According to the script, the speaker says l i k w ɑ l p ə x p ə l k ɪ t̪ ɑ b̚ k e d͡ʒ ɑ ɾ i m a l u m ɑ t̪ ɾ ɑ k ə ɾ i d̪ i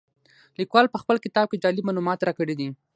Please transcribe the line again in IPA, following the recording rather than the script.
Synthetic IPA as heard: l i k w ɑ l p ə x p ə l k ɪ t̪ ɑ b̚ k e d͡ʒ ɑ l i m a l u m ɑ t̪ ɾ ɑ k ə ɽ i d̪ i